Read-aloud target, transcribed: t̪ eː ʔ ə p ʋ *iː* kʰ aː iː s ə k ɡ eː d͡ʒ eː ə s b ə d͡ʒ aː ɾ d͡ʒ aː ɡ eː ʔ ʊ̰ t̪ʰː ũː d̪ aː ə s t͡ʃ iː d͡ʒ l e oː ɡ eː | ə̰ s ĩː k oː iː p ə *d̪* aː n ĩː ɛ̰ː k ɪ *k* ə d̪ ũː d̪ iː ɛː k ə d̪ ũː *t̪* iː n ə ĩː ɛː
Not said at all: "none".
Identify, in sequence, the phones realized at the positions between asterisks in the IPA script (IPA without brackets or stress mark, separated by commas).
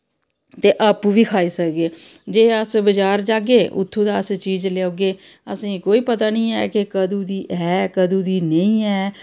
iː, t̪, k, d̪